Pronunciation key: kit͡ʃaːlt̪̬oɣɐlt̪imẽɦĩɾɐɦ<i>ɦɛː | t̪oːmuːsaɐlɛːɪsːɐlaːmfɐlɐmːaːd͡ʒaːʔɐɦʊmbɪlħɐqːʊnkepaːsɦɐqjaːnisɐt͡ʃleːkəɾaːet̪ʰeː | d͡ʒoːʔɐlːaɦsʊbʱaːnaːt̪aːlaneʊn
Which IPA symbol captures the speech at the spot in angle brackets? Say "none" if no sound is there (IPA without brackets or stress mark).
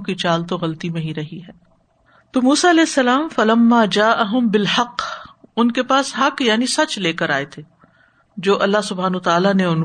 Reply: i